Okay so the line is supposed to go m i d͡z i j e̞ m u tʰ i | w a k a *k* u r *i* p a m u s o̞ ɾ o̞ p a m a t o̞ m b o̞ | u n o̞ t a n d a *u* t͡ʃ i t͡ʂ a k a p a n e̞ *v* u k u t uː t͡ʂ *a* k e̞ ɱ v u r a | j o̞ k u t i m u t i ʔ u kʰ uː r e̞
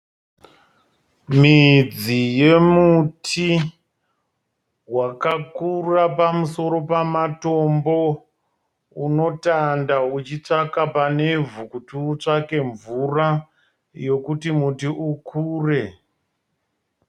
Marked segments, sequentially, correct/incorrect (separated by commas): correct, incorrect, correct, correct, correct